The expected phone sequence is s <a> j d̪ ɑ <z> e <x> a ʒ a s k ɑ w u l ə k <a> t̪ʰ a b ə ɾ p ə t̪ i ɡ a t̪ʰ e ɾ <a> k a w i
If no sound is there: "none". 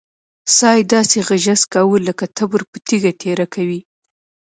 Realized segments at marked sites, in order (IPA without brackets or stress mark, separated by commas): ɑ, s, ɣ, a, a